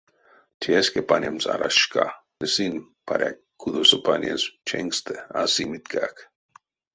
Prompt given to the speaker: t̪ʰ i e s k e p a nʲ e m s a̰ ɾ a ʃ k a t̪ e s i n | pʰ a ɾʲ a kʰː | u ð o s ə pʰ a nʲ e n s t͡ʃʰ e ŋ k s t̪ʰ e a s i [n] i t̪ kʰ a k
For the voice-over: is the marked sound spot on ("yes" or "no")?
no